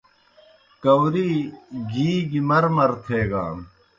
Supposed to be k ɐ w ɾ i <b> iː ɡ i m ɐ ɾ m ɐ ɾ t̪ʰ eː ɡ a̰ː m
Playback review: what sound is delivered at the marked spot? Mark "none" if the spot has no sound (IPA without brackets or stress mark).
ɡ